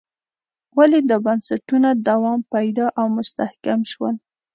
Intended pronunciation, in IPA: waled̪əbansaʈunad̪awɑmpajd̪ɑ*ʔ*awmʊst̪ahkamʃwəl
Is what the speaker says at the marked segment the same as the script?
yes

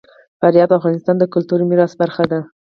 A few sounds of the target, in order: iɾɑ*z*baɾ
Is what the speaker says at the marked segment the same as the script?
no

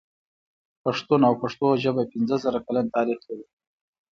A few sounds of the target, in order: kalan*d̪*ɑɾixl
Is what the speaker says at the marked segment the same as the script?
no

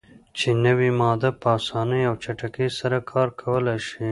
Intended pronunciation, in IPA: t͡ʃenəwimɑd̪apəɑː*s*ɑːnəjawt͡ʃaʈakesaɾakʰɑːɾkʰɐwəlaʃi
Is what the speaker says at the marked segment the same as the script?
yes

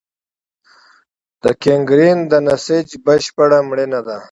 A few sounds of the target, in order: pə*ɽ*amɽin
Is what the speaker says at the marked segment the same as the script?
yes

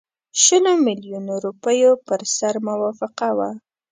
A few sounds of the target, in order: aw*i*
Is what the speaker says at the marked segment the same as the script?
no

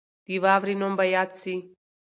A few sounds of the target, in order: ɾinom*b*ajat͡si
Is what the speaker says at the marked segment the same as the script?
yes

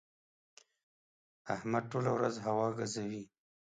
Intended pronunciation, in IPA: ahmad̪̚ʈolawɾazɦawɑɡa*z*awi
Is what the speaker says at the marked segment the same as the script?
yes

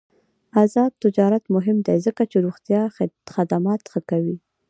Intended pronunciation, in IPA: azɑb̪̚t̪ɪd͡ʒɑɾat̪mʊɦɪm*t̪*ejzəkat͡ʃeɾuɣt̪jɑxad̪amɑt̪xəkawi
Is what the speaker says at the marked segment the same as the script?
no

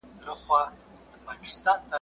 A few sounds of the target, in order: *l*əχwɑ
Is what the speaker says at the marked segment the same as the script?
yes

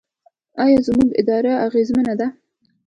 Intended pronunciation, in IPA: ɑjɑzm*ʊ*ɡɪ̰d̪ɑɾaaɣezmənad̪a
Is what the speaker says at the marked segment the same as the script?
no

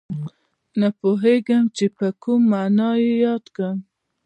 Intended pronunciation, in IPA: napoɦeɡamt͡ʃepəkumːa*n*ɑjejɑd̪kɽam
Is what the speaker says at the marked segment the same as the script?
yes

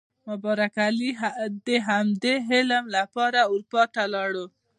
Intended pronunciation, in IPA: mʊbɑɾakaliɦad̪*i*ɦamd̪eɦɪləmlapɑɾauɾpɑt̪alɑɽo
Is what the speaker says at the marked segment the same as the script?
no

